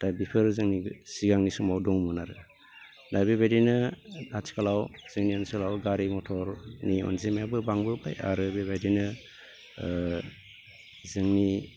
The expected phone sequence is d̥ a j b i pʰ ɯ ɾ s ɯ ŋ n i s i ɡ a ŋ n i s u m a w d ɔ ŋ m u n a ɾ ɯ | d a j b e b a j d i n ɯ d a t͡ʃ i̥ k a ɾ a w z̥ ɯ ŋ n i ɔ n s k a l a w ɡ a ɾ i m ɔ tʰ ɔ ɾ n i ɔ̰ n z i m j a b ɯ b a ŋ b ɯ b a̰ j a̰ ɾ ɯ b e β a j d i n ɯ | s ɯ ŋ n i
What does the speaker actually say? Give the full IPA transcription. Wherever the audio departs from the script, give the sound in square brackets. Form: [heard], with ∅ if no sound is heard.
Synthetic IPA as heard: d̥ a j b i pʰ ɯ ɾ [z] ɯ ŋ n i s i ɡ a ŋ n i s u m a w d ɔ ŋ m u n a ɾ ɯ | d a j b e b a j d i n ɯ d a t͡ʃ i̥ k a [l] a w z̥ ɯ ŋ n i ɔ n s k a l a w ɡ a ɾ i m ɔ tʰ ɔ ɾ n i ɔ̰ n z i m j a b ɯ b a ŋ b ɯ b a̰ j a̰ ɾ ɯ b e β a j d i n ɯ | [z] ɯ ŋ n i

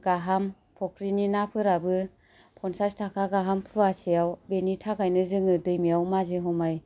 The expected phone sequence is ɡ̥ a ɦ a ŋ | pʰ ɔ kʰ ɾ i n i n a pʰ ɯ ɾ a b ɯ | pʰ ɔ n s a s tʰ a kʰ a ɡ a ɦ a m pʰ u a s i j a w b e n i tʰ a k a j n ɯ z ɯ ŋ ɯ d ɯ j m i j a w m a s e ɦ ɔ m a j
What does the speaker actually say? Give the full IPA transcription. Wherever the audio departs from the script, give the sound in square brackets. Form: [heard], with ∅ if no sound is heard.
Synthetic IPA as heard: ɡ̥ a ɦ a [m] | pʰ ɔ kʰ ɾ i n i n a pʰ ɯ ɾ a b ɯ | pʰ ɔ n s a s tʰ a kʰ a ɡ a ɦ a m pʰ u a s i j a w b e n i tʰ a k a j n ɯ z ɯ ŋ ɯ d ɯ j m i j a w m a [z] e ɦ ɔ m a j

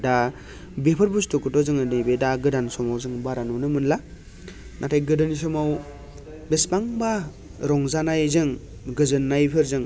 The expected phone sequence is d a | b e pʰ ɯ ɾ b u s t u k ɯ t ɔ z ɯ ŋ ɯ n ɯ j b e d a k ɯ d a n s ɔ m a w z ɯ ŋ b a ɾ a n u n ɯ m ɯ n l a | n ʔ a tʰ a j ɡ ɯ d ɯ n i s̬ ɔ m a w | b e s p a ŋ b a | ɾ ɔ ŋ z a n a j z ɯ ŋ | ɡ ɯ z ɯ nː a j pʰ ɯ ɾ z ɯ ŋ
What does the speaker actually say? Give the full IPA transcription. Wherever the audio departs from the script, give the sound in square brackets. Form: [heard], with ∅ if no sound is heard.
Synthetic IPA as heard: d a | b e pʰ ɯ ɾ b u s t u k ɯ t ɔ z ɯ ŋ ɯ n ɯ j b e d a [ɡ] ɯ d a n s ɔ m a w z ɯ ŋ b a ɾ a n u n ɯ m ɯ n l a | n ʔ a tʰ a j ɡ ɯ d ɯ n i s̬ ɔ m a w | b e s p a ŋ b a | ɾ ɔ ŋ z a n a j z ɯ ŋ | ɡ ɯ z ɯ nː a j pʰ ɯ ɾ z ɯ ŋ

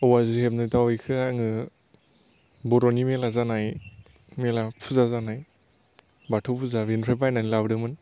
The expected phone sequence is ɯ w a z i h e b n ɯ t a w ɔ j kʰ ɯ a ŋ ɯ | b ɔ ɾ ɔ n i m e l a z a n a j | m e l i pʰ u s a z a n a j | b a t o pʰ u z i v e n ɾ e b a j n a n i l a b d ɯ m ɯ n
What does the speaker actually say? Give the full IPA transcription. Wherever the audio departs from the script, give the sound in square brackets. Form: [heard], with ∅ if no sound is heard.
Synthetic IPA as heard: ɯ w a z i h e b n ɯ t a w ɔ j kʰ ɯ a ŋ ɯ | b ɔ ɾ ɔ n i m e l a z a n a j | m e l [a] pʰ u [z] a z a n a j | b a [tʰ] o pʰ u z [a] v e n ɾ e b a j n a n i l a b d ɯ m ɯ n

